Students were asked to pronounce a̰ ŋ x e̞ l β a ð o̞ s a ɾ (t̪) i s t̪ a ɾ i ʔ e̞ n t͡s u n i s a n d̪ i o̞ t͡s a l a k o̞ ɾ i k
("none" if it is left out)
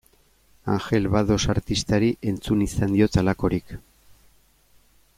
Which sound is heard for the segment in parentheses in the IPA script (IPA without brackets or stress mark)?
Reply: t̪